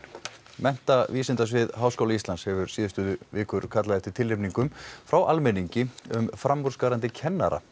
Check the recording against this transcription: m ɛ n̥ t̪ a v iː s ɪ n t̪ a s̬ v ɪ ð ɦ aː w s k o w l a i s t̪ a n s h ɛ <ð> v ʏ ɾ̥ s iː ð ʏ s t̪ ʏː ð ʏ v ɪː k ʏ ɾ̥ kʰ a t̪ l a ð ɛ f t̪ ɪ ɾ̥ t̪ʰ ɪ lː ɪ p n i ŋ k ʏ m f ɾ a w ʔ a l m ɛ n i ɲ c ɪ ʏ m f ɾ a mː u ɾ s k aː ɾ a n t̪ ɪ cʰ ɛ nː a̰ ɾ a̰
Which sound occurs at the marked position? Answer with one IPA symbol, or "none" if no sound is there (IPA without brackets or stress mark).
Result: none